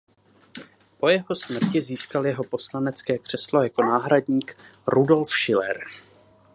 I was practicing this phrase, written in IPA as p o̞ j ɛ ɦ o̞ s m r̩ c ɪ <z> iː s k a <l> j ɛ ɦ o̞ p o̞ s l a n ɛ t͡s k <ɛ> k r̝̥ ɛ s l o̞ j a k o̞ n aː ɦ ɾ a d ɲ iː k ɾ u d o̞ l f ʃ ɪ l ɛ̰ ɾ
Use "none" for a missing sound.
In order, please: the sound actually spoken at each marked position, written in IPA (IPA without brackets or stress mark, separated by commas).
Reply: z, l, ɛː